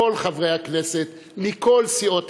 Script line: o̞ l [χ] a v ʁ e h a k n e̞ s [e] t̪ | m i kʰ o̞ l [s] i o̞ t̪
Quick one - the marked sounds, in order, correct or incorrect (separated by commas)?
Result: correct, correct, correct